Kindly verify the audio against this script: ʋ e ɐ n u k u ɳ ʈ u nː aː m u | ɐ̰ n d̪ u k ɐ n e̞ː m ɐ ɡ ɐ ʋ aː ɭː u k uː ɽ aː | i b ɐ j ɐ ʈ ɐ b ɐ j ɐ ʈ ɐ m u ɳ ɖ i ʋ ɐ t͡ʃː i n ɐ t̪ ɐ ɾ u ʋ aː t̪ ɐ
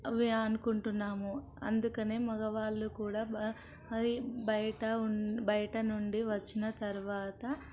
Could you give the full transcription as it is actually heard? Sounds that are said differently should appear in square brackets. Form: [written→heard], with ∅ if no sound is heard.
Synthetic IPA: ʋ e ɐ n u k u ɳ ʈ u nː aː m u | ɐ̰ n d̪ u k ɐ n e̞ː m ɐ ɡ ɐ ʋ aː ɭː u k uː ɽ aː | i b ɐ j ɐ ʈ ɐ b ɐ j ɐ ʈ ɐ [m→n] u ɳ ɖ i ʋ ɐ t͡ʃː i n ɐ t̪ ɐ ɾ u ʋ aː t̪ ɐ

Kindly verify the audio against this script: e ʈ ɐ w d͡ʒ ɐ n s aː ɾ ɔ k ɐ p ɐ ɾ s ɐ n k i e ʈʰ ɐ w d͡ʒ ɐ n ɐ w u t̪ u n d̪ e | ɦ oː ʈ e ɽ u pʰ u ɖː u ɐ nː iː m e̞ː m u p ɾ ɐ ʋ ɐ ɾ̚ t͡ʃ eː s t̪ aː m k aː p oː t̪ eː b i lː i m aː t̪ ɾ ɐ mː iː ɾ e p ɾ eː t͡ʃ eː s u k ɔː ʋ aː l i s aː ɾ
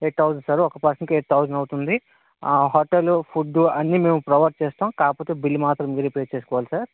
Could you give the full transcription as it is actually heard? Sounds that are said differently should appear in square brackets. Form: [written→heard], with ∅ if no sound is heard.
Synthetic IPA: e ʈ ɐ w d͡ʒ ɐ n s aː ɾ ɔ k ɐ p ɐ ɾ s ɐ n k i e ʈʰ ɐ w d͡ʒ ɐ n ɐ w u t̪ u n d̪ [e→i] | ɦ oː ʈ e [ɽ→l] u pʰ u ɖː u ɐ nː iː m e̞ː m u p ɾ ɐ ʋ ɐ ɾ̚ t͡ʃ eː s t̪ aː m k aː p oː t̪ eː b i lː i m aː t̪ ɾ ɐ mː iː ɾ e p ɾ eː t͡ʃ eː s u k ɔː ʋ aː l i s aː ɾ

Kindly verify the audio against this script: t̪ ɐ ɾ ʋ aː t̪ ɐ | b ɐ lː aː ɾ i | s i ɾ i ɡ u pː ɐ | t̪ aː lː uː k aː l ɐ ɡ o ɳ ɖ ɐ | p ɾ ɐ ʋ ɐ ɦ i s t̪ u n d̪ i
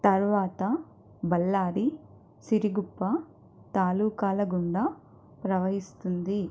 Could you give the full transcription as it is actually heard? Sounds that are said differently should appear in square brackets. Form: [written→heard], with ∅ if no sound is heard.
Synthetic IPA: t̪ ɐ ɾ ʋ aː t̪ ɐ | b ɐ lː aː ɾ i | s i ɾ i ɡ u pː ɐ | t̪ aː [lː→l] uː k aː l ɐ ɡ [o→u] ɳ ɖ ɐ | p ɾ ɐ ʋ ɐ ɦ i s t̪ u n d̪ i

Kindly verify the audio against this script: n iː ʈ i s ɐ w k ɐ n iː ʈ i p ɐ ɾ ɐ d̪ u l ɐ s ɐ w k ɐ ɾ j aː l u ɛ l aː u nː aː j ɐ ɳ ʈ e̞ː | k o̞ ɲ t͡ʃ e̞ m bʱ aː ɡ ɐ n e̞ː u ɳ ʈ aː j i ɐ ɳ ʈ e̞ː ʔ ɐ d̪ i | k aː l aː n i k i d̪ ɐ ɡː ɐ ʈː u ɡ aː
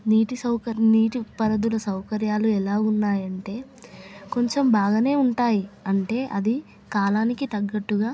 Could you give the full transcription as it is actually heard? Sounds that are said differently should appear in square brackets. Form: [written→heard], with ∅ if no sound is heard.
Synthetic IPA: n iː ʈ i s ɐ w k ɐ n iː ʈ i p ɐ ɾ ɐ d̪ u l ɐ s ɐ w k ɐ ɾ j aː l u ɛ l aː u nː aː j ɐ ɳ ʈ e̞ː | k o̞ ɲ t͡ʃ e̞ m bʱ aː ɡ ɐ n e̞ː u ɳ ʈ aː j i ɐ ɳ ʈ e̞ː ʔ ɐ d̪ i | k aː l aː n i k i [d̪→t̪] ɐ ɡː ɐ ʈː u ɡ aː

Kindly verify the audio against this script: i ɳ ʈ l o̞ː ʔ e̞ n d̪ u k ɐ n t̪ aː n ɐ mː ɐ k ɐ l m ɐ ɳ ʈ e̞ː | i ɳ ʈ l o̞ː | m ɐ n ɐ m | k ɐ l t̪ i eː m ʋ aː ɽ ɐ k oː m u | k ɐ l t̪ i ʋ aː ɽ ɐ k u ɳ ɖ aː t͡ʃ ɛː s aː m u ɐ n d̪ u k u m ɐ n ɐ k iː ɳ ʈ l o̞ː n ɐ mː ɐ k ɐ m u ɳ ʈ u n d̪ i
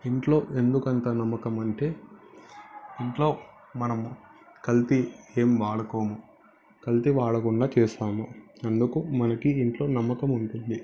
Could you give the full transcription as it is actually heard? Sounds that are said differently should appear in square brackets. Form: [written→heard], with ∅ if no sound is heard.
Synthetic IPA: i ɳ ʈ l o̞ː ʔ e̞ n d̪ u k ɐ n t̪ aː n ɐ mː ɐ k ɐ [l→∅] m ɐ ɳ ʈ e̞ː | i ɳ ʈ l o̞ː | m ɐ n ɐ m | k ɐ l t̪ i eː m ʋ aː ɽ ɐ k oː m u | k ɐ l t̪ i ʋ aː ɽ ɐ k u ɳ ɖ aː t͡ʃ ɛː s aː m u ɐ n d̪ u k u m ɐ n ɐ k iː ɳ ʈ l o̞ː n ɐ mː ɐ k ɐ m u ɳ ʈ u n d̪ i

